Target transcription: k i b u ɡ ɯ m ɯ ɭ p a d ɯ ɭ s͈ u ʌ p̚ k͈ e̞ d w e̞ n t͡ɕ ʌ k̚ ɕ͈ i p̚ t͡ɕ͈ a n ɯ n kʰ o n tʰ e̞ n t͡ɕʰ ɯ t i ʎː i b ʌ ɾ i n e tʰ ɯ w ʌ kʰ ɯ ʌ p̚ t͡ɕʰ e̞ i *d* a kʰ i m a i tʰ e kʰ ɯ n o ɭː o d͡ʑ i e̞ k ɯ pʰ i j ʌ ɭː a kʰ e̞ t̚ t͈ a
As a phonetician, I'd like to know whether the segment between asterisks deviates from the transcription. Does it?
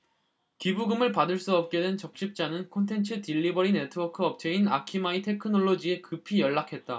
yes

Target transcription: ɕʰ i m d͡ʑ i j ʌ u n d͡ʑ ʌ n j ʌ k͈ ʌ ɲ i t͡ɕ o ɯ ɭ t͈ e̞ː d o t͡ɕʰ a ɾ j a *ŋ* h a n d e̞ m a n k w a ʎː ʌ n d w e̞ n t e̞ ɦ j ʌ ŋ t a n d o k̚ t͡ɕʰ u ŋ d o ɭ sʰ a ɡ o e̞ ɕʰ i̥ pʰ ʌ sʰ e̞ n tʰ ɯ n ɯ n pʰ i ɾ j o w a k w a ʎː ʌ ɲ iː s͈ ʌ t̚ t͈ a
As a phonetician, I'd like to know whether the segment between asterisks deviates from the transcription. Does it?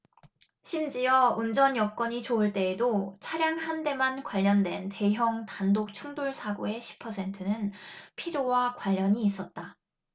no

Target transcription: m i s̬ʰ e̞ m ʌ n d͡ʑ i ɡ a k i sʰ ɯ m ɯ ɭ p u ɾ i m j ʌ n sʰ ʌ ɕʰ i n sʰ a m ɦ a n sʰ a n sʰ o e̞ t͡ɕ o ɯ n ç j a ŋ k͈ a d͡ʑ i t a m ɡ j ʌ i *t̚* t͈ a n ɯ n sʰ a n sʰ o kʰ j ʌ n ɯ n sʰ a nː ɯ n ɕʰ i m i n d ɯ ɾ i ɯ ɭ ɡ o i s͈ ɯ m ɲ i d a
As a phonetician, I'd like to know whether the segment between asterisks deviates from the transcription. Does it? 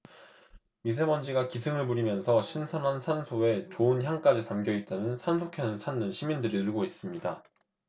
no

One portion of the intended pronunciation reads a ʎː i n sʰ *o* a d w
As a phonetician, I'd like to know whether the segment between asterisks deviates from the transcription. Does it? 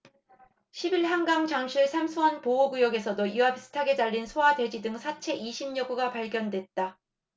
no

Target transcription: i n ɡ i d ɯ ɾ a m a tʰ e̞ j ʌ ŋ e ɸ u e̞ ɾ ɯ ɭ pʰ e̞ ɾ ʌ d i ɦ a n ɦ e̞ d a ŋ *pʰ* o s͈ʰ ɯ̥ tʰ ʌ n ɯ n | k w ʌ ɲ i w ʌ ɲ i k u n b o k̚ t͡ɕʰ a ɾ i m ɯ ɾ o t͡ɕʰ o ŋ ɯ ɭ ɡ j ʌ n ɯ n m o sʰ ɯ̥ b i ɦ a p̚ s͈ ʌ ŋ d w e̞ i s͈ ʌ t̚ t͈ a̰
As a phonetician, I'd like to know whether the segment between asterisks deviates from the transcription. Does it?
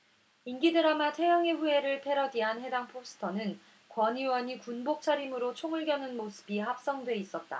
no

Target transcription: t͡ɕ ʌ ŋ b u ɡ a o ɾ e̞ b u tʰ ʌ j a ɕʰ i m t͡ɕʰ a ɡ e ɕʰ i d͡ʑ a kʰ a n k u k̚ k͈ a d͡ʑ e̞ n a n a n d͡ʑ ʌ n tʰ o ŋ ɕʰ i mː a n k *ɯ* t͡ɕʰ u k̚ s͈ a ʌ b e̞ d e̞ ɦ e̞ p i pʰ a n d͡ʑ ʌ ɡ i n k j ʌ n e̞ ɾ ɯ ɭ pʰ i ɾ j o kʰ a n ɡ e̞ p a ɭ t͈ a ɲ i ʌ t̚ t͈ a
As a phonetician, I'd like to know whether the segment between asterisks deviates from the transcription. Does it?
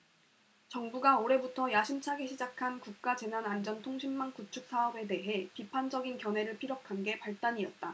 yes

